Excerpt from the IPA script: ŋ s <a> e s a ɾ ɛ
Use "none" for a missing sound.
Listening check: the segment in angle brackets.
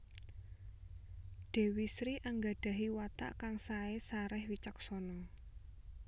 a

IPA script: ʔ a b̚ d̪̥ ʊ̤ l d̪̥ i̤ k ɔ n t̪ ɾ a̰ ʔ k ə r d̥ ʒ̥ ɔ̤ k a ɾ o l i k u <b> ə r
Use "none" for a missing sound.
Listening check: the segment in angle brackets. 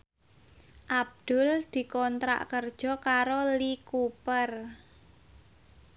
p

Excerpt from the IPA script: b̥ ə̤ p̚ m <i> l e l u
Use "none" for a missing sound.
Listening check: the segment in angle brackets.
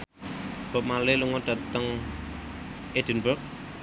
a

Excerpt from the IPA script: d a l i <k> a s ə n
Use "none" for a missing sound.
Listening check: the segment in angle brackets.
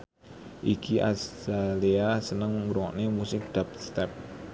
none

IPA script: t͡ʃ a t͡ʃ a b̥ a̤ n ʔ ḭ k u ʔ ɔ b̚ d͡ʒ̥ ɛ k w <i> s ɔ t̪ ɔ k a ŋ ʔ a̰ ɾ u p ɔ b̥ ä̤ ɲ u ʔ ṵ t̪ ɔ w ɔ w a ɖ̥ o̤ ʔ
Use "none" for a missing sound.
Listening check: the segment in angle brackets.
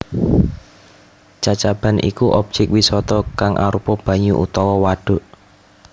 i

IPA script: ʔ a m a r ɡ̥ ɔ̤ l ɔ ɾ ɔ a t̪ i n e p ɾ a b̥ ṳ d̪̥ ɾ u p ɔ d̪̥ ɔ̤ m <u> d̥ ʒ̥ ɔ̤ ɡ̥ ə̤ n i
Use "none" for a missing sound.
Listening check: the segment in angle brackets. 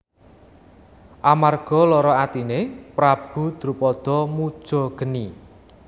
u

